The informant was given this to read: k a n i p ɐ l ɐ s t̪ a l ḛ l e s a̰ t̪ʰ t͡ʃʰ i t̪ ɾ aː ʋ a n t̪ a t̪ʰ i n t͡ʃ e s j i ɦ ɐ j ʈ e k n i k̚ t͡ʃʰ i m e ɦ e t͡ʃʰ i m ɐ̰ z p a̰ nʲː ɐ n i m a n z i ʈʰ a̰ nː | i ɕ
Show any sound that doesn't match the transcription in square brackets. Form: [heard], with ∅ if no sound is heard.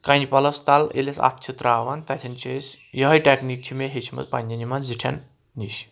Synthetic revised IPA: k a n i p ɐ l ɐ s t̪ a l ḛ l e s a̰ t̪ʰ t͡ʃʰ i t̪ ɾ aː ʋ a n t̪ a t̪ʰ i n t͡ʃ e s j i ɦ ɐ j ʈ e k n i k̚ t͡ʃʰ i m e ɦ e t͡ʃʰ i m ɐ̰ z p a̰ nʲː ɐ n i m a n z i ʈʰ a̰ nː | i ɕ